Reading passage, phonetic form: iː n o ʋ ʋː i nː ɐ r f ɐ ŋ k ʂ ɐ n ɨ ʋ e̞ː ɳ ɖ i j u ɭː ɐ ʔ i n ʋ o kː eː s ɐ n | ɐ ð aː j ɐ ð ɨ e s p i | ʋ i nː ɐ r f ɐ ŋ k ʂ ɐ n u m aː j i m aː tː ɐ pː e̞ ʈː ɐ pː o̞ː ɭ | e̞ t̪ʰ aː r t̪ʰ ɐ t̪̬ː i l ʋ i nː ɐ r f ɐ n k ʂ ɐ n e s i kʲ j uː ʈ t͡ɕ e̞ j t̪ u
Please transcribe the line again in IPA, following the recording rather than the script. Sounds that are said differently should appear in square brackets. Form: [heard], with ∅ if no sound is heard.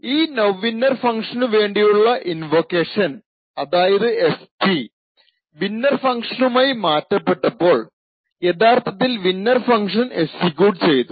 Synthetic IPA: iː n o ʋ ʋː i nː ɐ r f ɐ ŋ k ʂ ɐ n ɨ ʋ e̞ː ɳ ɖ i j u ɭː ɐ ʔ i n ʋ o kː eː [ʂ] ɐ n | ɐ ð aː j ɐ ð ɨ e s p i | ʋ i nː ɐ r f ɐ ŋ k ʂ ɐ n u m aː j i m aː tː ɐ pː e̞ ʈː ɐ pː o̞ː ɭ | e̞ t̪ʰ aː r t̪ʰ ɐ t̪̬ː i l ʋ i nː ɐ r f ɐ [ŋ] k ʂ ɐ n e s i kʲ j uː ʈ t͡ɕ e̞ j t̪ u